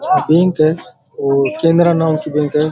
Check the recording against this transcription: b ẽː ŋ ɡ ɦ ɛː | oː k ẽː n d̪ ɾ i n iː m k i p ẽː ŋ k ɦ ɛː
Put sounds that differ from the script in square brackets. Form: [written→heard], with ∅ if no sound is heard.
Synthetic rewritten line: b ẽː ŋ [ɡ→k] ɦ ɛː | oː k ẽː n d̪ ɾ [i→a] n [iː→aː] m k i [p→b] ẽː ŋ k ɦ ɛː